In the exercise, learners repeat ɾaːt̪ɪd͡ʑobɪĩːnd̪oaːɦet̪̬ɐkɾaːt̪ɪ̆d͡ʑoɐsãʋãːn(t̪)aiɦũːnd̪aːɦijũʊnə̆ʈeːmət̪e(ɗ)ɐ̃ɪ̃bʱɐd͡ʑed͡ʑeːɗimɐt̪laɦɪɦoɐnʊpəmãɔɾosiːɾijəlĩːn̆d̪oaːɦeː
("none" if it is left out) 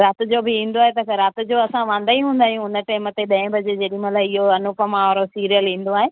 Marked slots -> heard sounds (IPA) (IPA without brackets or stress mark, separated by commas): d̪, ɗ